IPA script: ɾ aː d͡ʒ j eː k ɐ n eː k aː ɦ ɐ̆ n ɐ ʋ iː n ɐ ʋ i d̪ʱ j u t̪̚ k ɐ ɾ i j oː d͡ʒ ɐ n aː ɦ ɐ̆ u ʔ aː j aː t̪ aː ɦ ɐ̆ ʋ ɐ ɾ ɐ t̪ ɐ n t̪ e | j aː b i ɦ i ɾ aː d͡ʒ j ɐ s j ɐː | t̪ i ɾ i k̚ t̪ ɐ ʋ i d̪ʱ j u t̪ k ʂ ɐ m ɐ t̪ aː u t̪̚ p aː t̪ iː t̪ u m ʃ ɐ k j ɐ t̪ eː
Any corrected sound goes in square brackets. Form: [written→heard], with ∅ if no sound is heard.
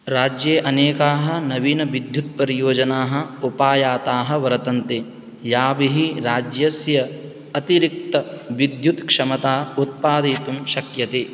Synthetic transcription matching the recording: ɾ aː d͡ʒ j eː [k→ʔ] ɐ n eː k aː ɦ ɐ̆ n ɐ ʋ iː n ɐ ʋ i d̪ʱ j u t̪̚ [k→p] ɐ ɾ i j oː d͡ʒ ɐ n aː ɦ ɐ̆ u [ʔ→p] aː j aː t̪ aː ɦ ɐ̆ ʋ ɐ ɾ ɐ t̪ ɐ n t̪ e | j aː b i ɦ i ɾ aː d͡ʒ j ɐ s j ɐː | t̪ i ɾ i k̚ t̪ ɐ ʋ i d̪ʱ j u t̪ k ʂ ɐ m ɐ t̪ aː u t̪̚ p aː [t̪→d̪] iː t̪ u m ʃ ɐ k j ɐ t̪ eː